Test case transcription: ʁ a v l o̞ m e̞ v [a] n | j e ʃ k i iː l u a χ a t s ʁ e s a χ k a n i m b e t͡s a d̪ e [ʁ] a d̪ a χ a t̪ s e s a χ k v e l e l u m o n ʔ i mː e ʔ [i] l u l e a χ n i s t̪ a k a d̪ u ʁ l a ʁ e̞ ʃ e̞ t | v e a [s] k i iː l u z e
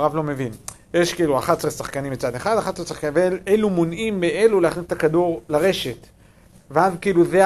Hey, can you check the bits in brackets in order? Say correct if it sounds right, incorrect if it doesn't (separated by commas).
incorrect, incorrect, incorrect, incorrect